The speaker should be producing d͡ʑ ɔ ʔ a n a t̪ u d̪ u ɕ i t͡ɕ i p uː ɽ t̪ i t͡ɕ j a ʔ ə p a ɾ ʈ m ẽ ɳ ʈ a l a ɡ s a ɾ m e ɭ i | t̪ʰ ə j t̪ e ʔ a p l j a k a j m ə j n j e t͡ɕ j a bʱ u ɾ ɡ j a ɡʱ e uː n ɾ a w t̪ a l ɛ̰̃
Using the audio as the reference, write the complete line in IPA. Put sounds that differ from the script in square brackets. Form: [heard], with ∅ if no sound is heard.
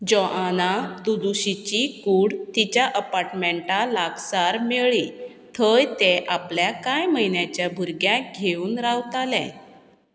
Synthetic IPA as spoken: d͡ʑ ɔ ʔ a n a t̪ u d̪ u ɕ i t͡ɕ i [k] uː ɽ t̪ i t͡ɕ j a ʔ ə p a ɾ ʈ m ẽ ɳ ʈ a l a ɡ s a ɾ m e ɭ i | t̪ʰ ə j t̪ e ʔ a p l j a k a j m ə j n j [a] t͡ɕ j a bʱ u ɾ ɡ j a ɡʱ e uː n ɾ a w t̪ a l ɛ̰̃